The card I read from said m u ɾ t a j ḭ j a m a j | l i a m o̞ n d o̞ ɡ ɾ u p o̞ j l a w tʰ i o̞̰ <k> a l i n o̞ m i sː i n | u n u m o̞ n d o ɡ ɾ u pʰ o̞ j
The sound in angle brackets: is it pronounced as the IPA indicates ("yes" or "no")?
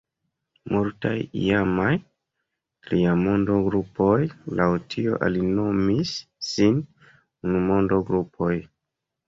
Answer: no